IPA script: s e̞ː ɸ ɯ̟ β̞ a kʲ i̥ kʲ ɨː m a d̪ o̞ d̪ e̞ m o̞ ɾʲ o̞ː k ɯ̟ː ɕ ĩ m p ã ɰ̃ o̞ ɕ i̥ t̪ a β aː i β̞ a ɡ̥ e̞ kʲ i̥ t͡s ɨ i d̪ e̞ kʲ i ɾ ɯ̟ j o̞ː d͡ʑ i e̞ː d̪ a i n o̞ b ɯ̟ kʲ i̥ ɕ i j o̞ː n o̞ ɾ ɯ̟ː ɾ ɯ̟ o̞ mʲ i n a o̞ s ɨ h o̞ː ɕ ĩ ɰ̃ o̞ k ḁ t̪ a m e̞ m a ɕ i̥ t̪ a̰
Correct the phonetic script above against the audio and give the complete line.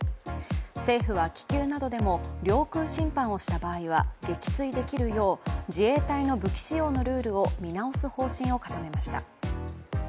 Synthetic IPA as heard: s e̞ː ɸ ɯ̟ β̞ a kʲ i̥ kʲ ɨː n a d̪ o̞ d̪ e̞ m o̞ ɾʲ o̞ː k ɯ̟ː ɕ ĩ m p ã ɰ̃ o̞ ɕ i̥ t̪ a b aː i β̞ a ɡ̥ e̞ kʲ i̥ t͡s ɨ i d̪ e̞ kʲ i ɾ ɯ̟ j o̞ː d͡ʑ i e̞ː t̪ a i n o̞ b ɯ̟ kʲ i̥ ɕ i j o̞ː n o̞ ɾ ɯ̟ː ɾ ɯ̟ o̞ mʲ i n a o̞ s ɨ h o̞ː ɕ ĩ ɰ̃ o̞ k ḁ t̪ a m e̞ m a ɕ i̥ t̪ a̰